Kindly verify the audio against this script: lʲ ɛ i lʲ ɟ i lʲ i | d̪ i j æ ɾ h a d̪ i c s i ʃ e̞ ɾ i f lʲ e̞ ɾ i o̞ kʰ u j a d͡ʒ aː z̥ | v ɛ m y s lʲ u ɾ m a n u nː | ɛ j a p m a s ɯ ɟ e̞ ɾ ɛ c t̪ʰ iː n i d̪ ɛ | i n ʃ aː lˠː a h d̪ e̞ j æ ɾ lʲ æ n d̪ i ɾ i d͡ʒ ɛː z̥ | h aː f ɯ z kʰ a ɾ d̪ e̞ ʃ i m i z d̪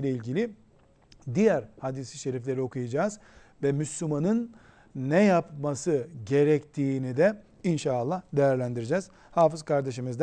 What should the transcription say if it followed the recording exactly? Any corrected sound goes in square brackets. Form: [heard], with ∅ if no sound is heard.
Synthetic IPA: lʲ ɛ i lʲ ɟ i lʲ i | d̪ i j æ ɾ h a d̪ i [∅] s i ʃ e̞ ɾ i f lʲ e̞ ɾ i o̞ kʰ u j a d͡ʒ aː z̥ | v ɛ m y s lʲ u [∅] m a n [ɯ] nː | ɛ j a p m a s ɯ ɟ e̞ ɾ ɛ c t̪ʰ iː n i d̪ ɛ | i n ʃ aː lˠː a h d̪ e̞ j æ ɾ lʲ æ n d̪ i ɾ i d͡ʒ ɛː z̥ | h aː f ɯ z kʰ a ɾ d̪ e̞ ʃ i m i z d̪